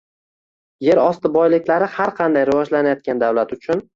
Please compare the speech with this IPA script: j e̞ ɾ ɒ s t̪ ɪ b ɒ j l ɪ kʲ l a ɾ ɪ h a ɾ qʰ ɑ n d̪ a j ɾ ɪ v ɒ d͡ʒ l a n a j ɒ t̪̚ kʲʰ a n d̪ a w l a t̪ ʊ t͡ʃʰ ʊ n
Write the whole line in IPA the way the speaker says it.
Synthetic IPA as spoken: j e̞ ɾ ɒ s t̪ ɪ b ɒ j l ɪ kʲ l a ɾ ɪ h a ɾ qʰ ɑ n d̪ a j ɾ ɪ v ɒ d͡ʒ l a n a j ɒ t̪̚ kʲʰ a n d̪ a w l a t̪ ʊ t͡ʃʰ ʊ n